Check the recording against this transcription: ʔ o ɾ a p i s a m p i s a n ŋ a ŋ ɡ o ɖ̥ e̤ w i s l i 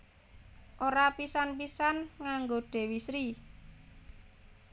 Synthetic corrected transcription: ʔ o ɾ a p i s a n p i s a n ŋ a ŋ ɡ o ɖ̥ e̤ w i s ɾ i